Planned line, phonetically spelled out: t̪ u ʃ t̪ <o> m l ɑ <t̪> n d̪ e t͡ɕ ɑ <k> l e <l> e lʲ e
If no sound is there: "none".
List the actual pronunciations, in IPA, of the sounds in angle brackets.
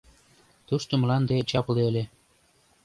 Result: o, none, p, none

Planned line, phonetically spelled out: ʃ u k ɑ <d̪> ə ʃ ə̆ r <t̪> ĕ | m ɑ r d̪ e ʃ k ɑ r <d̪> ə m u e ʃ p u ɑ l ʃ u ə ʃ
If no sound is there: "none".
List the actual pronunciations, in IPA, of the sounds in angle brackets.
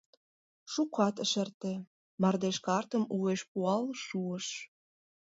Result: t̪, t̪, t̪

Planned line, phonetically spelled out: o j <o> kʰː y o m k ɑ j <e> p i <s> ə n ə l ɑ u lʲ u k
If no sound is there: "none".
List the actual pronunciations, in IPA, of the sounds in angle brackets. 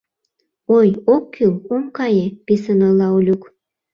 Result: o, e, s

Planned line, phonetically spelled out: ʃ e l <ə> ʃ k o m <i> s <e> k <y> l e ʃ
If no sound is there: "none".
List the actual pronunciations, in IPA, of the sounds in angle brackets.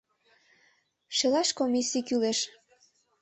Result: ɑ, i, i, y

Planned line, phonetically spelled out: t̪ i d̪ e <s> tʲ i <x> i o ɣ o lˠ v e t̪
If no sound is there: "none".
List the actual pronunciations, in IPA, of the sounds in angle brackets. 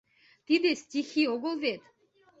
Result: s, x

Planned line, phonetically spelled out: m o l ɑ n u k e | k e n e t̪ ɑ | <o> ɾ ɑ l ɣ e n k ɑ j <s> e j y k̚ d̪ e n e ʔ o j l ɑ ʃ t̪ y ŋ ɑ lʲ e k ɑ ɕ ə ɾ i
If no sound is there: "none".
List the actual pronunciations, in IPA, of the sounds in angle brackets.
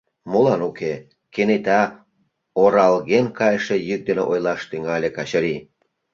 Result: o, ʃ

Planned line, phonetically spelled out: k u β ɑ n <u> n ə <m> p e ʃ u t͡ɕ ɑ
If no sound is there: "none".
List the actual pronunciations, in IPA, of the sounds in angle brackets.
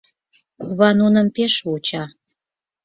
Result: u, m

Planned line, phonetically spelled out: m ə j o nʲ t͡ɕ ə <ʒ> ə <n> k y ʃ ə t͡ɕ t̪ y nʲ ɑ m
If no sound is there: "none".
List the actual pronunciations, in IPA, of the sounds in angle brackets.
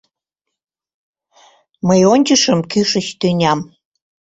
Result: ʃ, m

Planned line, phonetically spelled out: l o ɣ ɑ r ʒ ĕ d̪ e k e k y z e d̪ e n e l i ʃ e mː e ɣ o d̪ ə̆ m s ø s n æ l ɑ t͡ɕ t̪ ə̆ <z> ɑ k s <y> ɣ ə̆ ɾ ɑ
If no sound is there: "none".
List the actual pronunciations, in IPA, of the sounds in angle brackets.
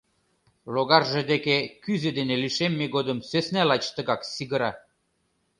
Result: ɣ, i

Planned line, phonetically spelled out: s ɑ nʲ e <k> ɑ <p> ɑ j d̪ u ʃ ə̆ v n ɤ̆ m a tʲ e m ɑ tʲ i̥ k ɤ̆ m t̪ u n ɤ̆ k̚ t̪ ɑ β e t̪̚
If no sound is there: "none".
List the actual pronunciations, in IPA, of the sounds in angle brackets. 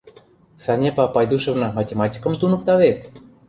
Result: p, p

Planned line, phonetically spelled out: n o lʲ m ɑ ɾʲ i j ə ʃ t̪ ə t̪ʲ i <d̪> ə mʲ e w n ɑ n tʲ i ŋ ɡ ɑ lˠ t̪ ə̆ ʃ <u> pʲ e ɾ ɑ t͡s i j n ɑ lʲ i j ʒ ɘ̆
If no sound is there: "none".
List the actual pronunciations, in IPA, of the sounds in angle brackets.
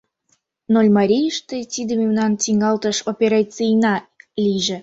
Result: d̪, o

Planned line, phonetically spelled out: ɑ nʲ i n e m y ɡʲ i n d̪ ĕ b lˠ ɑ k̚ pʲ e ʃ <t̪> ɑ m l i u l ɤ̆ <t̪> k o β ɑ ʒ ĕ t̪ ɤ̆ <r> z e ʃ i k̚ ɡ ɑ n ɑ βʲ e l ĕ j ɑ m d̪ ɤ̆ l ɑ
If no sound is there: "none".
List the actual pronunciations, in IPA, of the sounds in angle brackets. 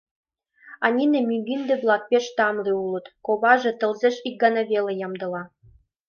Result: t̪, t̪, l

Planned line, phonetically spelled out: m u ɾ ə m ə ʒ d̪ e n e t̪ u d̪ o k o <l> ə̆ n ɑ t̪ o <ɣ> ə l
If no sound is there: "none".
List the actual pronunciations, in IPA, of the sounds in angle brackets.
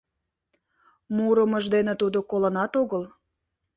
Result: l, ɣ

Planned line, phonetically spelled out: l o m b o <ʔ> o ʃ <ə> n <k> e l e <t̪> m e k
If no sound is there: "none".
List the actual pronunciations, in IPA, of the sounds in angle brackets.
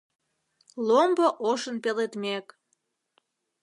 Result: ʔ, ə, p, t̪

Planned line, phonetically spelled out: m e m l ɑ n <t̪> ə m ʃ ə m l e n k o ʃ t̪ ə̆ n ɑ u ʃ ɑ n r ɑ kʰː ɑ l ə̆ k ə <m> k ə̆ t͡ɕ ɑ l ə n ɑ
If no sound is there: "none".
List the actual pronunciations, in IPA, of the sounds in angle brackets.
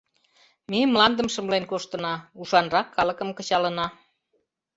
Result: d̪, m

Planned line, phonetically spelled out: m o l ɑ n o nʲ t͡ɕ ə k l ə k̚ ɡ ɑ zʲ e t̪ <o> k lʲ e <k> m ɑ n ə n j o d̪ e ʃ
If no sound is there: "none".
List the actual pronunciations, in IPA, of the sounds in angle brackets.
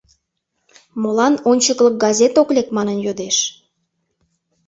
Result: o, k

